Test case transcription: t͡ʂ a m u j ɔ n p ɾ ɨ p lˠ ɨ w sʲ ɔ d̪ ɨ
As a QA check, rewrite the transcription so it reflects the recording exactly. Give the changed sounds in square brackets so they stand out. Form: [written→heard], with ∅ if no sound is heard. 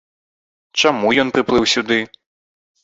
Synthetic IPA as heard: t͡ʂ a m u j ɔ n p ɾ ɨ p lˠ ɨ w sʲ [ɔ→u] d̪ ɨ